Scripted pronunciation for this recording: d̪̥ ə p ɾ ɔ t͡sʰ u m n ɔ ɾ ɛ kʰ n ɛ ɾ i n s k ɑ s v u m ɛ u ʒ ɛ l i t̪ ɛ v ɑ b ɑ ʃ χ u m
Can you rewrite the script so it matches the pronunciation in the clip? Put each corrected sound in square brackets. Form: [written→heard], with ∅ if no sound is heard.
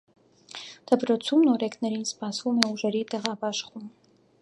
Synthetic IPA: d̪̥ ə p ɾ ɔ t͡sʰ u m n ɔ ɾ ɛ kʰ n ɛ ɾ i n s [k→p] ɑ s v u m ɛ u ʒ ɛ [l→ɾ] i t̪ ɛ [v→ʁ] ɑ b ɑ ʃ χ u m